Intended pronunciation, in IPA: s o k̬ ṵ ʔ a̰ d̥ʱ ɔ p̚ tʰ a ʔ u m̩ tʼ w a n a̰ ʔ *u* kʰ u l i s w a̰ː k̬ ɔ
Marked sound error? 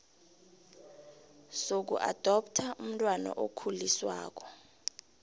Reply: yes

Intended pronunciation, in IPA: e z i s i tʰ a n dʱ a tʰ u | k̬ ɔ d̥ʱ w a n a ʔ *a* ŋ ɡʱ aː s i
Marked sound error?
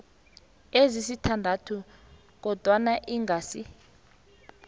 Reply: yes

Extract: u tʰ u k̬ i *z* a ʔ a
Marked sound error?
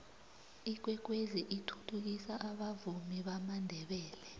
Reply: yes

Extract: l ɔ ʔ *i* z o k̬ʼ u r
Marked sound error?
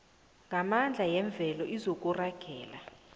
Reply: no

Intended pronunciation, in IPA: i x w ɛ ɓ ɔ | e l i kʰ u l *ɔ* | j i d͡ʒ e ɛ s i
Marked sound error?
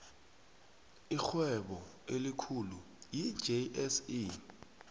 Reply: yes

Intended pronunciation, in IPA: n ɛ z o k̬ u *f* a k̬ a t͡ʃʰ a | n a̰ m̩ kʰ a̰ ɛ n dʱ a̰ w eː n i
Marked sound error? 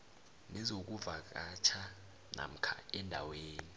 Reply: yes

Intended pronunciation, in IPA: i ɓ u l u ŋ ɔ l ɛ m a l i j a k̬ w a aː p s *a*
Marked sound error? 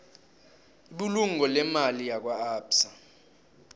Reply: no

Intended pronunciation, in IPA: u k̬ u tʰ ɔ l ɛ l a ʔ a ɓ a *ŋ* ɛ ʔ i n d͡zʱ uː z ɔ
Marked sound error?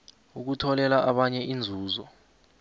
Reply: yes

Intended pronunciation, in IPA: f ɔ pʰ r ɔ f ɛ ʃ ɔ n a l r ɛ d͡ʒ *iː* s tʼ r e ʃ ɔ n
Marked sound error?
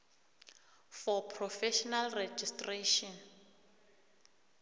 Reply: yes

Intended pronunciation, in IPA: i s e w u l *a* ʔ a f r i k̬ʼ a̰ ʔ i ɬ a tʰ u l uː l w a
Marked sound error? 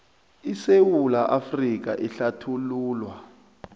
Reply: no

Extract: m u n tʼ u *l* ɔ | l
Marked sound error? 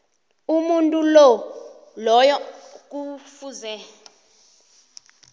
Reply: no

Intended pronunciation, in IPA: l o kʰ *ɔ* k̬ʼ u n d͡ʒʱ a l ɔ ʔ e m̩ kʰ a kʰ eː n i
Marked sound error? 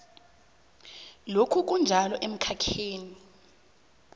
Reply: yes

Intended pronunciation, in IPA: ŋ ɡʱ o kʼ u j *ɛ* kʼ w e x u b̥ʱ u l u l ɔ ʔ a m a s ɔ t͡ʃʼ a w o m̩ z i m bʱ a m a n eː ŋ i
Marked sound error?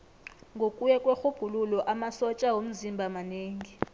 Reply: no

